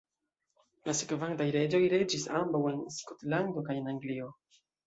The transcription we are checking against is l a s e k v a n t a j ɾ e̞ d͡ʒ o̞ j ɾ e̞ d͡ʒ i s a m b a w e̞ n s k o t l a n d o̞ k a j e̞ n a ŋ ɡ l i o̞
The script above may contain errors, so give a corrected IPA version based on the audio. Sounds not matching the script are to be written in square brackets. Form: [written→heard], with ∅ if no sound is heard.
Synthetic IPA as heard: l a s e k v a n t a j ɾ e̞ d͡ʒ o̞ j ɾ e̞ d͡ʒ i s a m b a w e̞ n s k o t l a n d o̞ k a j e̞ n a ŋ ɡ l i o̞